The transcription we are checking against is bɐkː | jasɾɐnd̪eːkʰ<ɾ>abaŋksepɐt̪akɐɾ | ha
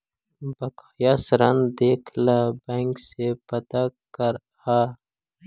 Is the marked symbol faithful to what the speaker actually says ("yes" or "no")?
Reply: no